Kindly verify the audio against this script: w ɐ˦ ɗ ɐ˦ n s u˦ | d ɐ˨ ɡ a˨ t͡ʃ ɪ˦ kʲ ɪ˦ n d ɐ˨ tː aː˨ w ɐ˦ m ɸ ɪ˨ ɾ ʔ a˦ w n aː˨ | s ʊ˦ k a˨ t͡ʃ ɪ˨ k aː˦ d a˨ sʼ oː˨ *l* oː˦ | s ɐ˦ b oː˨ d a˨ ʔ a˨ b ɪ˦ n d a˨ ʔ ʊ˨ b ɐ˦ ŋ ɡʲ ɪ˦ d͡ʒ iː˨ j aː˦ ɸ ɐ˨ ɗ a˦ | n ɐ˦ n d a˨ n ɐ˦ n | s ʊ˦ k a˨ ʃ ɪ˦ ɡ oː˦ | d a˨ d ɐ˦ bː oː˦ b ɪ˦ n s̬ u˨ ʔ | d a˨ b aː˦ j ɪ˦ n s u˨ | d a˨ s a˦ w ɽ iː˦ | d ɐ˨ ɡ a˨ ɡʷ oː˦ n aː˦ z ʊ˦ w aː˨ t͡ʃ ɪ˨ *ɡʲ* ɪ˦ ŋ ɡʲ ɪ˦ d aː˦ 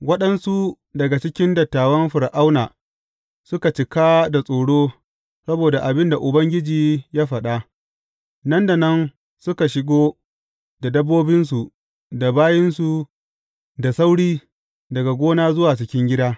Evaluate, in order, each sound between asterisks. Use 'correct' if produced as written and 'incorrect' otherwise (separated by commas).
incorrect, incorrect